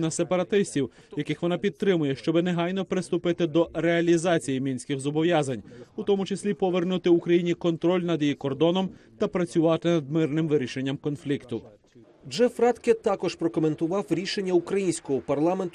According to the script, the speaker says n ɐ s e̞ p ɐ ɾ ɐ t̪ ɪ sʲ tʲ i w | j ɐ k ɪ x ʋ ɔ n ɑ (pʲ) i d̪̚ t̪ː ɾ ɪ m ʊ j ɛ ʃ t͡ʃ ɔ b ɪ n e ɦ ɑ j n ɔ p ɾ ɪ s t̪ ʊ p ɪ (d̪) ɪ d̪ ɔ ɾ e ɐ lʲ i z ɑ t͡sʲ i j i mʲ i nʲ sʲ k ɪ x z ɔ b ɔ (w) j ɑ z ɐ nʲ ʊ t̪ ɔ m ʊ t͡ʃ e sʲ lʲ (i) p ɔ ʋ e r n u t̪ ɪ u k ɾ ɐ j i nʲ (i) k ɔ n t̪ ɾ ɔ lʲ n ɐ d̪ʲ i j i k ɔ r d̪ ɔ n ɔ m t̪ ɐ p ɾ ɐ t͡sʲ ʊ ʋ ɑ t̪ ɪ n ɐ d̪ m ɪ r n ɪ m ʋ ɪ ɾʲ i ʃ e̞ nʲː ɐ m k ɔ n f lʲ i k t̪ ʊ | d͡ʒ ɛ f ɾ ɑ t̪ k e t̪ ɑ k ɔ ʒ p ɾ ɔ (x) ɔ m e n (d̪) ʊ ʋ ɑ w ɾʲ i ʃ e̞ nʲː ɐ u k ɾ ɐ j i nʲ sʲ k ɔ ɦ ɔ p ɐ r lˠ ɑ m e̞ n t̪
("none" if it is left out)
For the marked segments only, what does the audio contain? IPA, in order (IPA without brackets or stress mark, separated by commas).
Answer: pʲ, t̪, ʋ, i, i, k, t̪